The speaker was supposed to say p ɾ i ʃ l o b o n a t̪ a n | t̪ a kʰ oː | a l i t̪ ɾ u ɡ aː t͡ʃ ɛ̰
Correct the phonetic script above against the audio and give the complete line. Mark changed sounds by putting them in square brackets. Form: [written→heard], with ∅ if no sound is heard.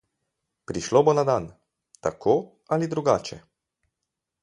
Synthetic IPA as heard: p ɾ i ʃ l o b o n a [t̪→d̪] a n | t̪ a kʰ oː | a l i [t̪→d̪] ɾ u ɡ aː t͡ʃ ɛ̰